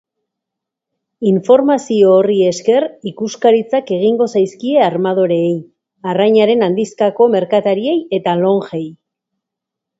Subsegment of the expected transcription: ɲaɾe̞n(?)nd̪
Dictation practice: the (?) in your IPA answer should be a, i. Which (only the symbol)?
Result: a